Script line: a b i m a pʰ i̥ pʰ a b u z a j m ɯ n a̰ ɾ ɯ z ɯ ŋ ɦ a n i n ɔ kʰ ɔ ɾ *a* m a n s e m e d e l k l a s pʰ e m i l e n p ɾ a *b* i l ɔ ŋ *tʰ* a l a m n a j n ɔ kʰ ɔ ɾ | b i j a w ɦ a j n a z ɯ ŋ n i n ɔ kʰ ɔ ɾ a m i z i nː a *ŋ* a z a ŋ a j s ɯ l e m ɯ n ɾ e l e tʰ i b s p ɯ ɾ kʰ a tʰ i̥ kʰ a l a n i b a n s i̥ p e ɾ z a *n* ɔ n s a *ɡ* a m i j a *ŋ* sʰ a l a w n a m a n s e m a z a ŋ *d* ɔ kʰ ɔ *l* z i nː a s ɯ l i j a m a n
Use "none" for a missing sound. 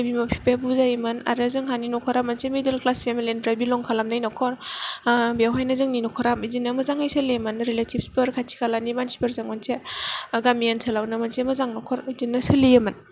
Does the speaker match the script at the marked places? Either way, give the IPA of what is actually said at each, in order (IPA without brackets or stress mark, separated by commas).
a, b, kʰ, m, ŋ, ɡ, n, n, ɾ